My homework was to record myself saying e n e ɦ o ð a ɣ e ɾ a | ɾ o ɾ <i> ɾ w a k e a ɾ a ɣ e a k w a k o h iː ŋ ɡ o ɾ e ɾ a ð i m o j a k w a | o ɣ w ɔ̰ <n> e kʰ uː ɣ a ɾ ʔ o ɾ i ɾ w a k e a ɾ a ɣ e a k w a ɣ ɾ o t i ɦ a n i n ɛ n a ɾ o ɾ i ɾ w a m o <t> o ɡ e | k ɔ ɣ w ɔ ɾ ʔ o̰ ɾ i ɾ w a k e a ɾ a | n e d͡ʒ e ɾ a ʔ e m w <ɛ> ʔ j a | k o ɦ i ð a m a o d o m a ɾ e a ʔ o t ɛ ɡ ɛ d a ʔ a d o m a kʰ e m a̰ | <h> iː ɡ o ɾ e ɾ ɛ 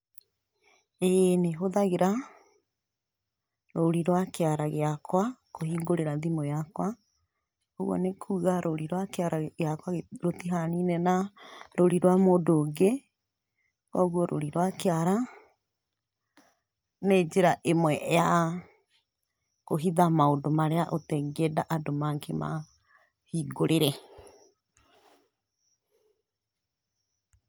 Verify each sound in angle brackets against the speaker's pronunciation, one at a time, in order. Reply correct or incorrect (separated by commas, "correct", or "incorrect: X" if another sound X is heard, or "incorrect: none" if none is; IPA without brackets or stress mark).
correct, correct, incorrect: d, correct, correct